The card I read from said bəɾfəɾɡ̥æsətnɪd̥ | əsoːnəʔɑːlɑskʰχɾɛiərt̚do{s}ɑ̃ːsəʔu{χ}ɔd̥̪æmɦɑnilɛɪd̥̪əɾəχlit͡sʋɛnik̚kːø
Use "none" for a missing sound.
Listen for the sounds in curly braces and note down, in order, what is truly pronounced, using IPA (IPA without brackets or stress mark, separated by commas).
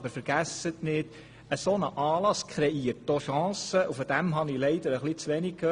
ʃ, f